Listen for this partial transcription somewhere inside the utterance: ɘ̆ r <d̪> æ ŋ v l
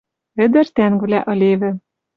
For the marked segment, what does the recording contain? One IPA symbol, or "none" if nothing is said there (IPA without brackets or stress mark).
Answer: t̪